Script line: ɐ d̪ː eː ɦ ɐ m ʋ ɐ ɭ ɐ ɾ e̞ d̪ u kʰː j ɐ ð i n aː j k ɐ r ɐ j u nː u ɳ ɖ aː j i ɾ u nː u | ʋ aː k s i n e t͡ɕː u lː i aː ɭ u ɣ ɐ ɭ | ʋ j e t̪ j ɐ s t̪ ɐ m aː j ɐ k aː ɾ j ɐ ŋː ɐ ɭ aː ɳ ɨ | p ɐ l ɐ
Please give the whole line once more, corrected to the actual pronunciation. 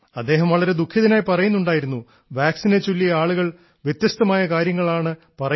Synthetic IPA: ɐ d̪ː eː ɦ ɐ m ʋ ɐ ɭ ɐ ɾ e̞ d̪ u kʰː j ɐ ð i n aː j p ɐ r ɐ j u nː u ɳ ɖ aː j i ɾ u nː u | ʋ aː k s i n e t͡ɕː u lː i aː ɭ u ɣ ɐ ɭ | ʋ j e t̪ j ɐ s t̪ ɐ m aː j ɐ k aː ɾ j ɐ ŋː ɐ ɭ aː ɳ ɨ | p ɐ r ɐ